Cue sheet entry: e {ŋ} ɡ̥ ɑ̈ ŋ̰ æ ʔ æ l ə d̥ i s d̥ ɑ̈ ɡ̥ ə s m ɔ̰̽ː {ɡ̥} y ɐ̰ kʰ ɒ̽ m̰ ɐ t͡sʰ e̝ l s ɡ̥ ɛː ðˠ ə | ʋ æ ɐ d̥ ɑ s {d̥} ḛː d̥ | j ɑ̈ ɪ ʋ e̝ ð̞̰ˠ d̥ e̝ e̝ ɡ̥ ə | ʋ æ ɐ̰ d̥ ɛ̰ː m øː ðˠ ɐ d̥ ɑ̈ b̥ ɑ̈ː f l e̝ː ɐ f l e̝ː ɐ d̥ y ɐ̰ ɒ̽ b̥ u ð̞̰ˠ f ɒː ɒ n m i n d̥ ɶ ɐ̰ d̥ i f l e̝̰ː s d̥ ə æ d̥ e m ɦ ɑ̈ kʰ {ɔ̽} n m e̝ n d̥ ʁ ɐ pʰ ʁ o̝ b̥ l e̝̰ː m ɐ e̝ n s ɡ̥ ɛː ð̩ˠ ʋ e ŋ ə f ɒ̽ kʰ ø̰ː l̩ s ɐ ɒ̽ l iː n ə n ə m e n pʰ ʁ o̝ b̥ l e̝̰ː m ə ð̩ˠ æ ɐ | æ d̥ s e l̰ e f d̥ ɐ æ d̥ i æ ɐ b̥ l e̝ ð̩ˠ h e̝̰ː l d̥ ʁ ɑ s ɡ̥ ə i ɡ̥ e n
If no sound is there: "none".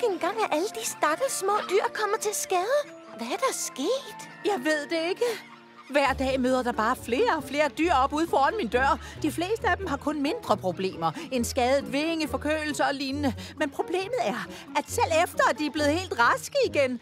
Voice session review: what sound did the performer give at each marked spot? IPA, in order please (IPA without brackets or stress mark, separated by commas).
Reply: n, d̥, ɡ̥, ɔ̽